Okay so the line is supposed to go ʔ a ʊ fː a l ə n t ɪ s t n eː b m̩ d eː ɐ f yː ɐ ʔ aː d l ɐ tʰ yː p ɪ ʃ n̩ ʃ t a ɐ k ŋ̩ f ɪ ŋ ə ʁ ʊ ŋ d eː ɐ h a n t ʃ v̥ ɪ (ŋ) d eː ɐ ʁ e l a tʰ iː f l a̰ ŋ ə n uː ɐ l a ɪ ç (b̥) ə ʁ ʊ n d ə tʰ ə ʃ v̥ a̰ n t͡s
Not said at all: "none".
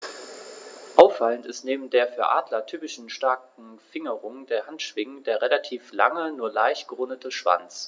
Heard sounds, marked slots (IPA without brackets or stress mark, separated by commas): ŋ, ɡ̥